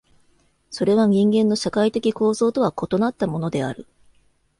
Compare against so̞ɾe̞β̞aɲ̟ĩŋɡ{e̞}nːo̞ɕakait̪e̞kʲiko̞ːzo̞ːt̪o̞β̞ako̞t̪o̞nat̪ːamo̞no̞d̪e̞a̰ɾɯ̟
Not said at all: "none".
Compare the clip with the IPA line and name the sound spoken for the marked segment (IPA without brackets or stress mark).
ẽ̞